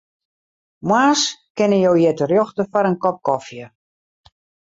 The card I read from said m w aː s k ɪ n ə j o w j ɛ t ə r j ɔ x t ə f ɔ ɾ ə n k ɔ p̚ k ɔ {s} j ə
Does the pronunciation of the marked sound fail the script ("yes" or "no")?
yes